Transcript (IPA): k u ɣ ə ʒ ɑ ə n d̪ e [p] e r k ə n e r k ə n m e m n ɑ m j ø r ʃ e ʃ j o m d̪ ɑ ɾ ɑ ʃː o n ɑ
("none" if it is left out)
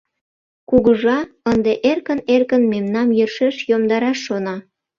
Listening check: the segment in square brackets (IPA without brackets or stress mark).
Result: ʔ